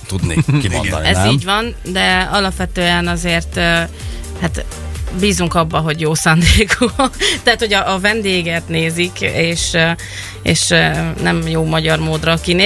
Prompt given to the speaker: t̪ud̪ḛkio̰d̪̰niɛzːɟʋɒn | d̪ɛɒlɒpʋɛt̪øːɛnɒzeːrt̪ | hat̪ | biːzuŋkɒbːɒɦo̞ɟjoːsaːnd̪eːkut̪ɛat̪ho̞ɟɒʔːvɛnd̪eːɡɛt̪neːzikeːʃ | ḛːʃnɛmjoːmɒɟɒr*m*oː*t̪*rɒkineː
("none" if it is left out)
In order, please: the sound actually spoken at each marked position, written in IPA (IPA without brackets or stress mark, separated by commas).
m, d̪